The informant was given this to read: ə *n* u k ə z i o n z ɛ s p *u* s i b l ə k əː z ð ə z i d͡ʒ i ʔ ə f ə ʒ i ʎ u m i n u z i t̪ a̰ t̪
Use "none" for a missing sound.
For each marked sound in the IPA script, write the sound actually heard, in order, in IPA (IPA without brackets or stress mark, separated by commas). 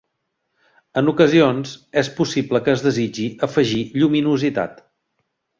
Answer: n, u